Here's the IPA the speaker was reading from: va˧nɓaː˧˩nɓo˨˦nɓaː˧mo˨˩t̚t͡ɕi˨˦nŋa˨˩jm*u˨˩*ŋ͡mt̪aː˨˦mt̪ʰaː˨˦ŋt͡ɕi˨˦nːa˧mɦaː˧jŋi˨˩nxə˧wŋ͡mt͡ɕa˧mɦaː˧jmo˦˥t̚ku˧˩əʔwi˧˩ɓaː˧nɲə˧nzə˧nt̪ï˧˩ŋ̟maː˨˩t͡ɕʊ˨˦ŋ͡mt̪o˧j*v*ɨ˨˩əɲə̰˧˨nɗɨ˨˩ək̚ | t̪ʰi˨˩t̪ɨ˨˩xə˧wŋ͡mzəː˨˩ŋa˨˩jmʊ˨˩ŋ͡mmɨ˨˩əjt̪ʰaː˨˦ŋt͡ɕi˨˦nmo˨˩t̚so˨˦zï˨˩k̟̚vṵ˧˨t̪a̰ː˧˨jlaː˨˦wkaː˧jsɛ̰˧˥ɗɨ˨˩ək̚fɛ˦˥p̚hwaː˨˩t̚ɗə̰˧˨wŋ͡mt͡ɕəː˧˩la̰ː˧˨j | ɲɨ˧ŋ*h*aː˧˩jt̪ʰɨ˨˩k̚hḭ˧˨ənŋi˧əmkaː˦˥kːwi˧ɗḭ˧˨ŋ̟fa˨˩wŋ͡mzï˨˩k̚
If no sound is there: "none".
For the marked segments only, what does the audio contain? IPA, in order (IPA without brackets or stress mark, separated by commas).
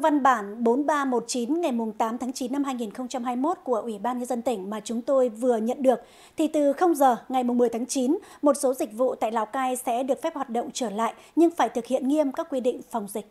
ʊ˨˩, v, f